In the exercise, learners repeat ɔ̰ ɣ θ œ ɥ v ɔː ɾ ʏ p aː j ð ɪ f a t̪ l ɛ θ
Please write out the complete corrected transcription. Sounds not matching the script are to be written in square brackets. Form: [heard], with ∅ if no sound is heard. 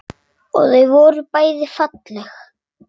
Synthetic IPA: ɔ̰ ɣ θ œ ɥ v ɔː ɾ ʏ p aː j ð ɪ f a t̪ l ɛ [x]